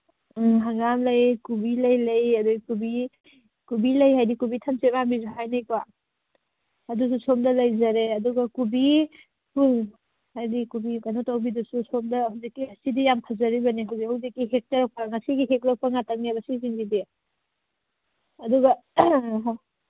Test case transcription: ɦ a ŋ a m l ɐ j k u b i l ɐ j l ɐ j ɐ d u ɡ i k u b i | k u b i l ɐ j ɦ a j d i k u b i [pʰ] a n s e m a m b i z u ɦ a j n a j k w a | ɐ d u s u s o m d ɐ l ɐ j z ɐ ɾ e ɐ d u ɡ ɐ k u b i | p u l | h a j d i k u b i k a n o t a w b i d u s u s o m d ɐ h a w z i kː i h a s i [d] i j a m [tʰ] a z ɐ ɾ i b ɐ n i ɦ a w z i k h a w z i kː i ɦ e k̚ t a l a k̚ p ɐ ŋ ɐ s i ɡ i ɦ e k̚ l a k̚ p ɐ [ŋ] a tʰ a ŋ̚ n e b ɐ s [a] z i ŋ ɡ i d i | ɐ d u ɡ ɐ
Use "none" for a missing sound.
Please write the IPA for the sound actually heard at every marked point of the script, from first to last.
tʰ, d, kʰ, ŋ, i

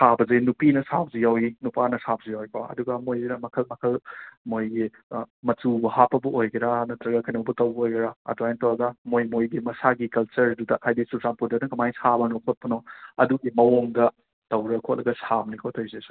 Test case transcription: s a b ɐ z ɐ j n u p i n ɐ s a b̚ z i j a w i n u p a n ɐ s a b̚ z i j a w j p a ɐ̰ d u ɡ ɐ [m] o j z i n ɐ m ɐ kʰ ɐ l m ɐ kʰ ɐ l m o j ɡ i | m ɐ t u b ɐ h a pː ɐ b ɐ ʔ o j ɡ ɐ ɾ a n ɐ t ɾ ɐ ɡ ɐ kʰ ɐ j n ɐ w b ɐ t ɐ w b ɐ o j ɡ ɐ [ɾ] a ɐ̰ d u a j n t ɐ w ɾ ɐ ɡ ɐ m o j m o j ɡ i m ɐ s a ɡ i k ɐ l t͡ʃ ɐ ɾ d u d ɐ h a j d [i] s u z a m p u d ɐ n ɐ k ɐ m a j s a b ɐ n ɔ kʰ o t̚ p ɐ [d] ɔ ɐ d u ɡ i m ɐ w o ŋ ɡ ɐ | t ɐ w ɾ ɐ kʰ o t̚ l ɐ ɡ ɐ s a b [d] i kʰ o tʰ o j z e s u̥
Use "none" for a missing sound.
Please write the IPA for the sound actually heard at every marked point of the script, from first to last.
m, ɾ, i, n, n

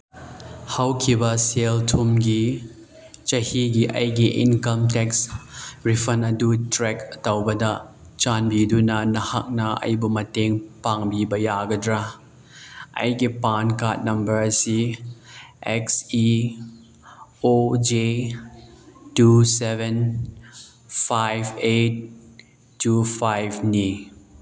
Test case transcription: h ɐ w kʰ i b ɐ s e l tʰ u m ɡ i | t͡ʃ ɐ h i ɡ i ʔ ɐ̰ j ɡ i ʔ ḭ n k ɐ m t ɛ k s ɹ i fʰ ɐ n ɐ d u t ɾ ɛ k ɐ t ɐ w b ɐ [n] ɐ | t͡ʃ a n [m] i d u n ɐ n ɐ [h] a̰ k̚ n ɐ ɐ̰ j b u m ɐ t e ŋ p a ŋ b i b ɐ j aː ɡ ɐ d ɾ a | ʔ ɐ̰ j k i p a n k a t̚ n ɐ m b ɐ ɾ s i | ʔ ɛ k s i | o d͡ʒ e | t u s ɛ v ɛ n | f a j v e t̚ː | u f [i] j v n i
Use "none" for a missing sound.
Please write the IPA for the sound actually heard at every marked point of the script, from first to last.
d, b, h, a

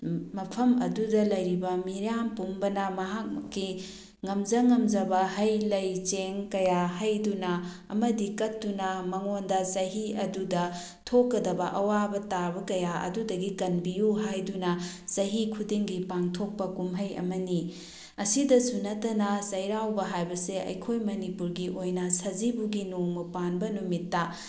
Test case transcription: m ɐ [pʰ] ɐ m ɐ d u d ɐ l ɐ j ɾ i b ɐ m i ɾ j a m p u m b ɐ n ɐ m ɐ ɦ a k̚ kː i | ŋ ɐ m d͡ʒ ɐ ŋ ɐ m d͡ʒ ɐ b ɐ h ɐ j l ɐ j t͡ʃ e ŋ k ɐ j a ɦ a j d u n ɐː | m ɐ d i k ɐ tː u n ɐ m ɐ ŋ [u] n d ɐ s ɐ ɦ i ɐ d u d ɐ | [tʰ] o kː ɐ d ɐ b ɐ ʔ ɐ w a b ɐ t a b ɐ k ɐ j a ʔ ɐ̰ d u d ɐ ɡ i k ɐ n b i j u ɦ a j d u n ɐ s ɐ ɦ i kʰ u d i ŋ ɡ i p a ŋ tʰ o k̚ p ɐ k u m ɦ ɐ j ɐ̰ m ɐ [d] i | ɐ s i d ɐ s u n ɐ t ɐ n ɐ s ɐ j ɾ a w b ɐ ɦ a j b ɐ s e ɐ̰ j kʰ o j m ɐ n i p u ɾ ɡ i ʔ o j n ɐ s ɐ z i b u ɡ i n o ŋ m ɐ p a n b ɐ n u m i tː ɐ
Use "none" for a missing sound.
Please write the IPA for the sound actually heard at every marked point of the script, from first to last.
pʰ, o, tʰ, n

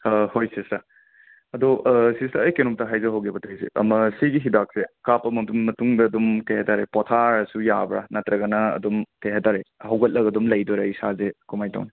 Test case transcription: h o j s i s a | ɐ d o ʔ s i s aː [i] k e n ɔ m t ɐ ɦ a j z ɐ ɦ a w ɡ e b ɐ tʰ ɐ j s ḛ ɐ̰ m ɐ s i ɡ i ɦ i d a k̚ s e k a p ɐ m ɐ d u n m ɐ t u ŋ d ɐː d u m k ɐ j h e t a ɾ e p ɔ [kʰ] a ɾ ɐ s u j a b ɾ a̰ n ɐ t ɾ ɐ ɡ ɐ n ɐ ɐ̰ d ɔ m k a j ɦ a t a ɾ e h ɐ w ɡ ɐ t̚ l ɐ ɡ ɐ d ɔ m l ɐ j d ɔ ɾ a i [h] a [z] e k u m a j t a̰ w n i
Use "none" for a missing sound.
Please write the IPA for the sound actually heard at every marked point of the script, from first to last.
j, tʰ, s, z

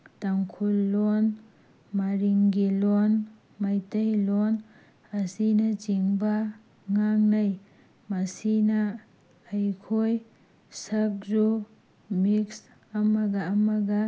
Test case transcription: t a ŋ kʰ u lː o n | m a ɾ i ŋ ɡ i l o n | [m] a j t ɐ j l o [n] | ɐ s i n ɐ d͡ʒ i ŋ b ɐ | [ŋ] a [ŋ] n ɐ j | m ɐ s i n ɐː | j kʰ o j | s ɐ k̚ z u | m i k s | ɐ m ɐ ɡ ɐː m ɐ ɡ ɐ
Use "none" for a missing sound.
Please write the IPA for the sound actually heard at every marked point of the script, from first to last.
m, n, ŋ, ŋ

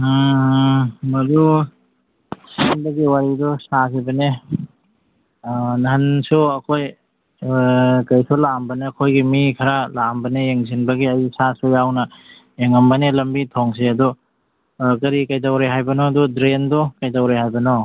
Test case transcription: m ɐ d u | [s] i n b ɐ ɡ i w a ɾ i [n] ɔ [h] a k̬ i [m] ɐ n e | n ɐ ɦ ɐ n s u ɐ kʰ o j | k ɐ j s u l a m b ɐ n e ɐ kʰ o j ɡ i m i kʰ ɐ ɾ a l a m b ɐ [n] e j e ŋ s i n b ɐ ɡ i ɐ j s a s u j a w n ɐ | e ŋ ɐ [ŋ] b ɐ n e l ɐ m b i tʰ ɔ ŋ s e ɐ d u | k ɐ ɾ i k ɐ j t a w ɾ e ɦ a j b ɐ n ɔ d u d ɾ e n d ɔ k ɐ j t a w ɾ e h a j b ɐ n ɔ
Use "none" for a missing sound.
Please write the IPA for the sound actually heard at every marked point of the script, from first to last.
s, d, s, b, n, m

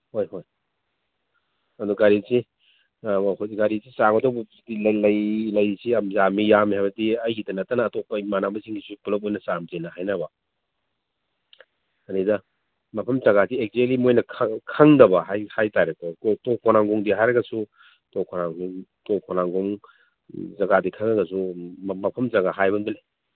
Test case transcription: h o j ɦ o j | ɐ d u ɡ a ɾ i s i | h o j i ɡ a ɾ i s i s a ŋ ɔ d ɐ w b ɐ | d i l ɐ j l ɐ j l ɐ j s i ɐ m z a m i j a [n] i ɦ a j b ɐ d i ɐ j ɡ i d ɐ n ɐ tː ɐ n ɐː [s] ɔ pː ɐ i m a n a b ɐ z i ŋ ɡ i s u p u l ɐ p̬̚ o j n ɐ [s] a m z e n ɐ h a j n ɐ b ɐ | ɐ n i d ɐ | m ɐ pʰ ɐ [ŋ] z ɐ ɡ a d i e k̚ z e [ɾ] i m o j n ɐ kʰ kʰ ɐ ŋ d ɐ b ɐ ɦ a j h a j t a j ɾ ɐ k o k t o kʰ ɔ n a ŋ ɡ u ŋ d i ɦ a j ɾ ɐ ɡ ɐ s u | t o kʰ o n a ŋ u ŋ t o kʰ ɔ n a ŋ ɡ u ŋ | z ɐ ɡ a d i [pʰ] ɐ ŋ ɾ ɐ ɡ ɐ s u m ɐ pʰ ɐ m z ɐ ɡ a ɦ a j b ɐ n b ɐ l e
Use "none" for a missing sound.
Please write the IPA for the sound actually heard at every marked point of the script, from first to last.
m, t, s, m, l, kʰ

